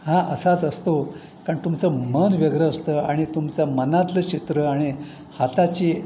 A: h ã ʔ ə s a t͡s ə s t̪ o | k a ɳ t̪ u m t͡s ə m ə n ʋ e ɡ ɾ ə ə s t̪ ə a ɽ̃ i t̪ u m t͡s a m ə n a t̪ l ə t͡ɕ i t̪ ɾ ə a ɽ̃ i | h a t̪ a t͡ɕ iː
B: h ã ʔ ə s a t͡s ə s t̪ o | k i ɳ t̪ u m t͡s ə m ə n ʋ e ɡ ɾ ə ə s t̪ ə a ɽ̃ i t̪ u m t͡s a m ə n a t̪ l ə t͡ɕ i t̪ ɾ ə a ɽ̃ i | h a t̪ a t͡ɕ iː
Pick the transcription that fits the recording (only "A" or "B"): A